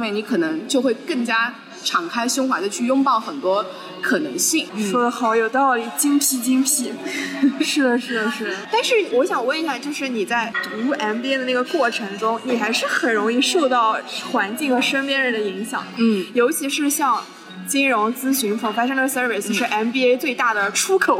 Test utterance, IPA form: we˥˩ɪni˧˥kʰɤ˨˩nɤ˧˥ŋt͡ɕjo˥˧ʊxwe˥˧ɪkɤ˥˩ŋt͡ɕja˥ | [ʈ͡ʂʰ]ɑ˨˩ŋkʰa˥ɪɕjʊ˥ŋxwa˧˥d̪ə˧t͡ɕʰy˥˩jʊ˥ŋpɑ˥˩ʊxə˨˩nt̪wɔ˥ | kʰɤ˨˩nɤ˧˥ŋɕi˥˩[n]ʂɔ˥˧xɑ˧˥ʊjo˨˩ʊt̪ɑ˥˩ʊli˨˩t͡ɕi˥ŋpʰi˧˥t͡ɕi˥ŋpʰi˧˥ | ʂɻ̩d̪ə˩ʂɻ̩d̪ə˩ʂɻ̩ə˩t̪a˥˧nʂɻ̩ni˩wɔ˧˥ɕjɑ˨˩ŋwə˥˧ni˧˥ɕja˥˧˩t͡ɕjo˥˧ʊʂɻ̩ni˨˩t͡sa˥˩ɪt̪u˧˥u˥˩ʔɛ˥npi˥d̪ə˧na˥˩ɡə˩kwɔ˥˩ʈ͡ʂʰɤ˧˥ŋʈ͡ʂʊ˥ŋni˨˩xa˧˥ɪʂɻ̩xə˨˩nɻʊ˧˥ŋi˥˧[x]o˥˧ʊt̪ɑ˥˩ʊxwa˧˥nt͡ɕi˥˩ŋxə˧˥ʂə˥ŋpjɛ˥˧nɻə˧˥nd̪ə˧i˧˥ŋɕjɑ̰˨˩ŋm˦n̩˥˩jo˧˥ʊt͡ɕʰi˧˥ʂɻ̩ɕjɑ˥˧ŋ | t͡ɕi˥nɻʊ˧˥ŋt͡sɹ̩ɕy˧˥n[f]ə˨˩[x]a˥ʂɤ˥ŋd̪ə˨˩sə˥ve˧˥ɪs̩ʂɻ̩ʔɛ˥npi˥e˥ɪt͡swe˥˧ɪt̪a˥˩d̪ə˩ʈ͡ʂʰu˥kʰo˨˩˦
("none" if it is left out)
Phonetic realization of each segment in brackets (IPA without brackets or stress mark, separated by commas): ʈ͡ʂʰ, ŋ, ʂ, f, f